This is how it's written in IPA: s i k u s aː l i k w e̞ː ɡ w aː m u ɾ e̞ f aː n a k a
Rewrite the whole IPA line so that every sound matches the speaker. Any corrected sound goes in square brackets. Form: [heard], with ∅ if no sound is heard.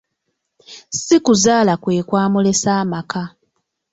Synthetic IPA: s i k u [z] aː l [a] k w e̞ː [k] w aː m u [l] e̞ [s] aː [m] a k a